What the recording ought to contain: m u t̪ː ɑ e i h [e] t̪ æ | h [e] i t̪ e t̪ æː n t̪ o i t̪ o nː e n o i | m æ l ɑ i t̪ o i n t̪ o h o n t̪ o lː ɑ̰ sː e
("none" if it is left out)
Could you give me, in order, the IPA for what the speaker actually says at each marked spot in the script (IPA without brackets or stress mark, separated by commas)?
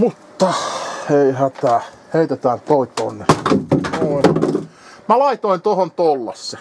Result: æ, e